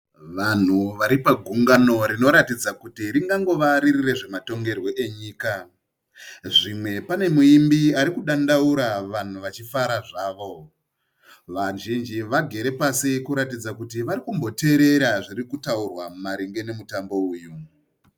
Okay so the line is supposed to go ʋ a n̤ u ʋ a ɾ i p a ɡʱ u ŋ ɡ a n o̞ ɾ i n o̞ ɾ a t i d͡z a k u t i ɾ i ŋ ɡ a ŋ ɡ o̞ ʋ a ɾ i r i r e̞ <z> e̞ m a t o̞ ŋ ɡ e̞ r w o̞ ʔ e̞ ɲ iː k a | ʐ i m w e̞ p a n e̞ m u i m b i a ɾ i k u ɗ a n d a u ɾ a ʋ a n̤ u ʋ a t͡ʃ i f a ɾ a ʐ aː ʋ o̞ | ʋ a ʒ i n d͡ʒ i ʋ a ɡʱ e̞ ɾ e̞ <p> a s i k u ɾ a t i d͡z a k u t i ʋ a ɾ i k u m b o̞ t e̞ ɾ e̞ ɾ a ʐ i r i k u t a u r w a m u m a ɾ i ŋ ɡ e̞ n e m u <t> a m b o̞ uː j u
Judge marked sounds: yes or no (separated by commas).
no, yes, yes